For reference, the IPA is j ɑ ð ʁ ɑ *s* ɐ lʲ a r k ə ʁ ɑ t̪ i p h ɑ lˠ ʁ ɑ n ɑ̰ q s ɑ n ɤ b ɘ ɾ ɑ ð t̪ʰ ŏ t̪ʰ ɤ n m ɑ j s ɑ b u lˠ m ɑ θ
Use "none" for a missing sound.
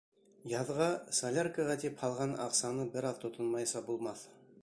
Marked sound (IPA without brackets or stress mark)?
s